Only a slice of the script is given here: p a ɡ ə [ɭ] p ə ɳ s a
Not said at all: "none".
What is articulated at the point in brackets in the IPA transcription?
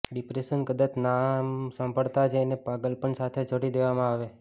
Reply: l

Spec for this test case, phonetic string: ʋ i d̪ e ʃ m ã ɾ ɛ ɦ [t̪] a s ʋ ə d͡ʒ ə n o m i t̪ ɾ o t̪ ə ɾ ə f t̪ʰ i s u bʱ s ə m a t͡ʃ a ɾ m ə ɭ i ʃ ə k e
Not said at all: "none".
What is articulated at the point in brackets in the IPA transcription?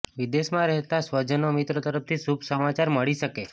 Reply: t̪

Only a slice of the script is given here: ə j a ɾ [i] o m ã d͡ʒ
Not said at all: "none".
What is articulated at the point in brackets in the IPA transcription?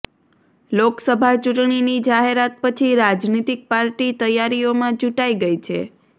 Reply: i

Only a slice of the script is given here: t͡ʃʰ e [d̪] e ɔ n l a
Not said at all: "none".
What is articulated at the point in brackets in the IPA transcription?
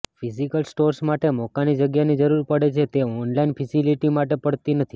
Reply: t̪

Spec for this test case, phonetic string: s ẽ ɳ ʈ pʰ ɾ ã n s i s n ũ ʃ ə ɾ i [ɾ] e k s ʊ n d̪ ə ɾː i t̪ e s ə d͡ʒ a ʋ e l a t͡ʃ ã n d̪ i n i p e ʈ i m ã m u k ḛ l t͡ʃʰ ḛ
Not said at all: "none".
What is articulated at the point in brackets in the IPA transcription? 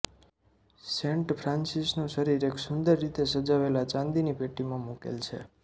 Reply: ɾ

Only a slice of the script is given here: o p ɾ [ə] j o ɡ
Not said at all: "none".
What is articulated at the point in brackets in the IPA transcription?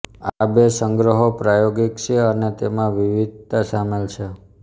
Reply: a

